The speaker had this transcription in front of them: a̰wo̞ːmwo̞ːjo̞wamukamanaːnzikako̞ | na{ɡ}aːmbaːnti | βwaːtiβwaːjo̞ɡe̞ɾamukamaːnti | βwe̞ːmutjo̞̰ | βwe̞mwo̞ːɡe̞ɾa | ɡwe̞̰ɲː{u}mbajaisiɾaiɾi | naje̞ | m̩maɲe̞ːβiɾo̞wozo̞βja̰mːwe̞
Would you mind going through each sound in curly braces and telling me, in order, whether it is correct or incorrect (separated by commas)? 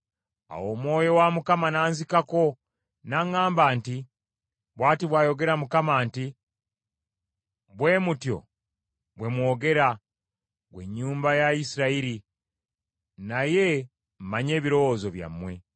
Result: incorrect, incorrect